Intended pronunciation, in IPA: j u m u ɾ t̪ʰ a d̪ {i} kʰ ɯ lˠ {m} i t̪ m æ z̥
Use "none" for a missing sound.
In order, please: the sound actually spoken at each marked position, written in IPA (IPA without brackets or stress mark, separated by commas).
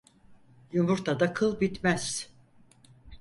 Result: a, b